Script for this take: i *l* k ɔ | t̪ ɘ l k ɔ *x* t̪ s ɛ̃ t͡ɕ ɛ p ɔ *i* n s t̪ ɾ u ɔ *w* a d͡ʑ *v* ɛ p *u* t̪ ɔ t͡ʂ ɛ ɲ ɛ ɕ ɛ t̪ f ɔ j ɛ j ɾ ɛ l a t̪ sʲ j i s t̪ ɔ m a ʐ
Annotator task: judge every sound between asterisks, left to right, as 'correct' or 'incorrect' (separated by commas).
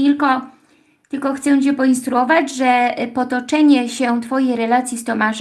correct, correct, correct, incorrect, incorrect, incorrect